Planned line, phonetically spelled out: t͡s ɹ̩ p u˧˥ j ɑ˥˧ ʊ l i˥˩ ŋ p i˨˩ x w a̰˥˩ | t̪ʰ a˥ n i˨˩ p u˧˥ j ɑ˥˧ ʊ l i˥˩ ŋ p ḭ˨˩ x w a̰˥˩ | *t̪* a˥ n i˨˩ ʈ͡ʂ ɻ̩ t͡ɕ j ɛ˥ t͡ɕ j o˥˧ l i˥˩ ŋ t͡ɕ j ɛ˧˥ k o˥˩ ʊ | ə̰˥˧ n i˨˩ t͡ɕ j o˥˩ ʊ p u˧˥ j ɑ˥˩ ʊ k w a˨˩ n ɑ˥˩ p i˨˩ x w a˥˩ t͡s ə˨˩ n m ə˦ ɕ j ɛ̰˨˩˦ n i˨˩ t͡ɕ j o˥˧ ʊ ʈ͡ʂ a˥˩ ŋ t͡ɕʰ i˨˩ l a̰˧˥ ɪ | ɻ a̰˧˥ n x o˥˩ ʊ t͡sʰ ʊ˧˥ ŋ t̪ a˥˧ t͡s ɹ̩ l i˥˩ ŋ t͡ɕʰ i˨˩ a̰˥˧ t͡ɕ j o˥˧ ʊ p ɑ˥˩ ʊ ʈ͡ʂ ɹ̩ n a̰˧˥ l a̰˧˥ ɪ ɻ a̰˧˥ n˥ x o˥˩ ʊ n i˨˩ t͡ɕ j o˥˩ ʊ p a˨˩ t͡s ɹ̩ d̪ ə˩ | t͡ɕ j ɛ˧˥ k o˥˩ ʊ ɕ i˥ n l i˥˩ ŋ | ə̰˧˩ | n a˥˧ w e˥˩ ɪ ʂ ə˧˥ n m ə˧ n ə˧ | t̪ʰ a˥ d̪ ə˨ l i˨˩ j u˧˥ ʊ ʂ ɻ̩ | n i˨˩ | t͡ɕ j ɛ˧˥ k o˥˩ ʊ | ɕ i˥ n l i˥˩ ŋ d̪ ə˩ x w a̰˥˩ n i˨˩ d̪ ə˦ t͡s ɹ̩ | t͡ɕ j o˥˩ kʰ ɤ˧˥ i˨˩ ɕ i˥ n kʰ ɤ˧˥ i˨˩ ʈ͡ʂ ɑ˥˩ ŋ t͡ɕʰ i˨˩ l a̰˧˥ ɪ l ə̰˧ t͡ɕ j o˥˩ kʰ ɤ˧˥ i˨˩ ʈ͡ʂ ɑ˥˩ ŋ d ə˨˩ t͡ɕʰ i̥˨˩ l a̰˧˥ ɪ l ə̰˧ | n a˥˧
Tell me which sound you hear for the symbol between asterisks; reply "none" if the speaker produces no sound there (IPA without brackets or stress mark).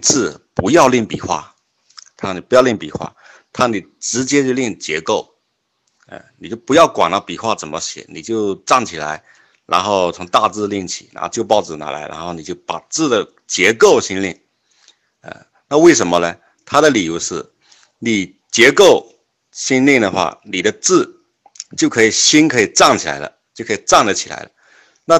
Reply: t̪ʰ